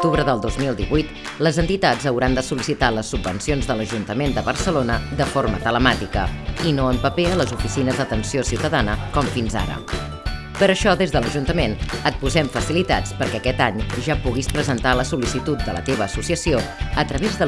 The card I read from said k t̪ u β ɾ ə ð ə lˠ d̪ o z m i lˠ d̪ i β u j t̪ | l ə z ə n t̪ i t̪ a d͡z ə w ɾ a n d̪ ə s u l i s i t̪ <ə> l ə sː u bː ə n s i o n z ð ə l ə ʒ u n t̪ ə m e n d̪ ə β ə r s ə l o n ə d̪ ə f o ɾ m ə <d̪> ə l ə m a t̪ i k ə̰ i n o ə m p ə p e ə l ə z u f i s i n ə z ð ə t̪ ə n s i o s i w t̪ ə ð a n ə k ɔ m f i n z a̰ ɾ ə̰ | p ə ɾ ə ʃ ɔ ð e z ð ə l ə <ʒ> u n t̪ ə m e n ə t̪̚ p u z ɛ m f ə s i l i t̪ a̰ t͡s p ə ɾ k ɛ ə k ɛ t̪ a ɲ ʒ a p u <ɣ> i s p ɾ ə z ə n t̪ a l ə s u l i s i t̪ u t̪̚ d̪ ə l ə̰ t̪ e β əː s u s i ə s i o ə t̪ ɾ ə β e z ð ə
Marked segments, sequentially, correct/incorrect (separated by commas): incorrect, incorrect, correct, correct